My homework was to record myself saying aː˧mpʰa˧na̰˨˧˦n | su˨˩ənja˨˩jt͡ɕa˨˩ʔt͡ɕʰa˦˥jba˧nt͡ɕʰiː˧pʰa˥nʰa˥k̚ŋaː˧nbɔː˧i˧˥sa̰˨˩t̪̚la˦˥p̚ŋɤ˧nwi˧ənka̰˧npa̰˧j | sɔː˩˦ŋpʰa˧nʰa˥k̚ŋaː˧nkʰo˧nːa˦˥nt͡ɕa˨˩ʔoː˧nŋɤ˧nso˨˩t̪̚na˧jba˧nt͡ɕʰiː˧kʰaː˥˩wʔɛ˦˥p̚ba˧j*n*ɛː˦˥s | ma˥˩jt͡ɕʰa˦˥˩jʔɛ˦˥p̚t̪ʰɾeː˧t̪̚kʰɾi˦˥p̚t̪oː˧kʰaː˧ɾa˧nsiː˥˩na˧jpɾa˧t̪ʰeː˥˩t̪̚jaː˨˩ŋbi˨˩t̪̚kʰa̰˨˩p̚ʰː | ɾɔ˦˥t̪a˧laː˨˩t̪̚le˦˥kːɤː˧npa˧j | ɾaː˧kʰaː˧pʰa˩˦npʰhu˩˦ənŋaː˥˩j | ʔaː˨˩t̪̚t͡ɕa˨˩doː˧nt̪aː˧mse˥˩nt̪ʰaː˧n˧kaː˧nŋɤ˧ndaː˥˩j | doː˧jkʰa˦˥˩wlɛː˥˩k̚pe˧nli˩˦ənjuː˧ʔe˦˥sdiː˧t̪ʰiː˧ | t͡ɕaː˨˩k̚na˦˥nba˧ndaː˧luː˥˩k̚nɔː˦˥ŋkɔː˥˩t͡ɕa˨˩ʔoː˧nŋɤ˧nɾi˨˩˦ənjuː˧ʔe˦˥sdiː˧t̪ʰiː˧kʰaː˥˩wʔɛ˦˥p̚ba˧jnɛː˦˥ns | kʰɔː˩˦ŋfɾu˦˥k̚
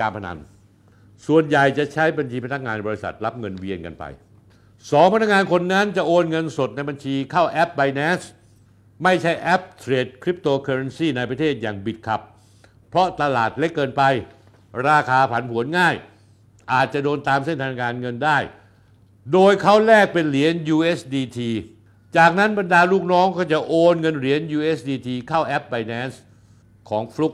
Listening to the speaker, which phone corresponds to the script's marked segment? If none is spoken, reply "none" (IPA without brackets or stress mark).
n